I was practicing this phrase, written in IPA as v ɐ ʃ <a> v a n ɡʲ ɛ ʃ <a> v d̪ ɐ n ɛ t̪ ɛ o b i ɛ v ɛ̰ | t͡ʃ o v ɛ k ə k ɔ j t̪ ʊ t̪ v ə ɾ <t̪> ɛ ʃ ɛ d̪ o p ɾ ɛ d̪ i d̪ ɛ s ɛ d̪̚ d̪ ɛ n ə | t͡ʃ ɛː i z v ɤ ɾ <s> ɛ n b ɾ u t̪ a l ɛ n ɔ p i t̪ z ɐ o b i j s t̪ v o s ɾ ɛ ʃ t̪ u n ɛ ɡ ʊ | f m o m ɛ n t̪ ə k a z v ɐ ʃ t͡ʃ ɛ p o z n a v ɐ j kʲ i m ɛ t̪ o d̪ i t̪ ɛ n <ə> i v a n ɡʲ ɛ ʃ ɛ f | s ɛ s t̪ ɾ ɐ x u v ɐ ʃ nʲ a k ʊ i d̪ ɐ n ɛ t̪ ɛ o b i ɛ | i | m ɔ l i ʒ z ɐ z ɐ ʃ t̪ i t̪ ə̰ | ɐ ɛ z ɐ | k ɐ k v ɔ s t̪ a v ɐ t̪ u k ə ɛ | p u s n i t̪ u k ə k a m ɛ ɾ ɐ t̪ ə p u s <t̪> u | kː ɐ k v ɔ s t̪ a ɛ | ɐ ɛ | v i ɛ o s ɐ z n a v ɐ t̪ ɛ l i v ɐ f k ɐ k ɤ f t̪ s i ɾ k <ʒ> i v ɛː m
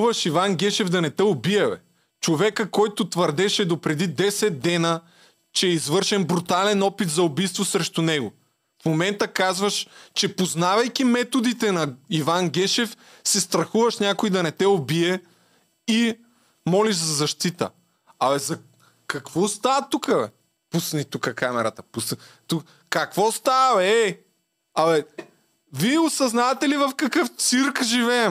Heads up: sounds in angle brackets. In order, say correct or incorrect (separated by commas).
incorrect, incorrect, incorrect, incorrect, incorrect, correct, correct